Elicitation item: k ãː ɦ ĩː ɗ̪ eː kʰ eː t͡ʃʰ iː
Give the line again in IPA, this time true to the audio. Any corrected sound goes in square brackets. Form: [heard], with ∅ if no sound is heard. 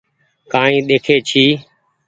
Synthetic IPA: k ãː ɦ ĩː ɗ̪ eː kʰ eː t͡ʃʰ iː